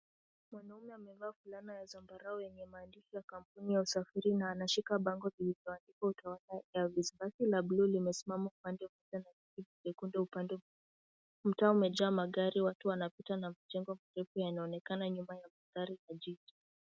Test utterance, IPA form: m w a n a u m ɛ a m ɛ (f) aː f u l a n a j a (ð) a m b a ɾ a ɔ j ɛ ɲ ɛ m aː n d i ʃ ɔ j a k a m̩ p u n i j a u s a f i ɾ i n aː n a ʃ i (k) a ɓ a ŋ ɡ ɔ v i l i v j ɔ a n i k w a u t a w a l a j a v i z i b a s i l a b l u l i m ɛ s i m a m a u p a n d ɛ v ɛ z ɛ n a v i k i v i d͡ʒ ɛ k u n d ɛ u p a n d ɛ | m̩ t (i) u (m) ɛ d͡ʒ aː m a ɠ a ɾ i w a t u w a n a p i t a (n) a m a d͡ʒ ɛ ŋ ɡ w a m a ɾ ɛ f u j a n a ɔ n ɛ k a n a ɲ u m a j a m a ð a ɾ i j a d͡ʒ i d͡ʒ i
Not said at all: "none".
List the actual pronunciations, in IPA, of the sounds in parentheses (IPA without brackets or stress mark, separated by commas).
v, z, k, a, m, n